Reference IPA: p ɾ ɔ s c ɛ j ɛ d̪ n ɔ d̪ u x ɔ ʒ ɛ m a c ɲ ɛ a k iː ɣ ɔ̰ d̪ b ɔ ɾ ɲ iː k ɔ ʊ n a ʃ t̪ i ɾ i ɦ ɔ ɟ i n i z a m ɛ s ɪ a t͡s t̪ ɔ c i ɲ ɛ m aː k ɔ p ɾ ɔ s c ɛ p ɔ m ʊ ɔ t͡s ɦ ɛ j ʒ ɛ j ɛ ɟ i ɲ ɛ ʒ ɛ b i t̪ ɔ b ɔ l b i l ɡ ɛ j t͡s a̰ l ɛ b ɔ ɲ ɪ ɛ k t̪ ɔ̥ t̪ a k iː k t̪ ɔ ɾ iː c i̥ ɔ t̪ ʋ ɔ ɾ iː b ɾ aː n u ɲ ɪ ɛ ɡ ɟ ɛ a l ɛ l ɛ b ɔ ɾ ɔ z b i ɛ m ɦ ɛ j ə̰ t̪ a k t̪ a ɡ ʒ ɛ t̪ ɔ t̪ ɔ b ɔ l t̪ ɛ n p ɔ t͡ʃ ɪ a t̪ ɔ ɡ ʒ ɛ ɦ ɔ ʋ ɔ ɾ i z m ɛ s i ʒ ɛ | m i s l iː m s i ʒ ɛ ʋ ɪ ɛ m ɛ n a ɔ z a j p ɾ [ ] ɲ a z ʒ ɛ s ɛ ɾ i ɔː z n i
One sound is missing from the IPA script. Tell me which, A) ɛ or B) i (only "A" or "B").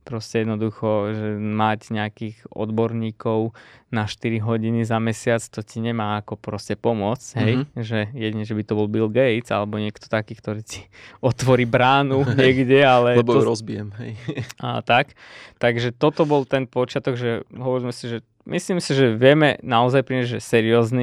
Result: B